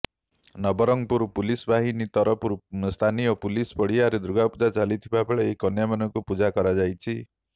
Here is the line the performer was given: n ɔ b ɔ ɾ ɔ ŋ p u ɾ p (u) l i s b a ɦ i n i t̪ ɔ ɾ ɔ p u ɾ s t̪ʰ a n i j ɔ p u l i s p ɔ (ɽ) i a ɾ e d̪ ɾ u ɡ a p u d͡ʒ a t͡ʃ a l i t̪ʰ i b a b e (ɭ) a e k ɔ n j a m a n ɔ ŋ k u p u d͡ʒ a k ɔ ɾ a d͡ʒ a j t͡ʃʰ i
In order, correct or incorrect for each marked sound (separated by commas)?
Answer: correct, correct, correct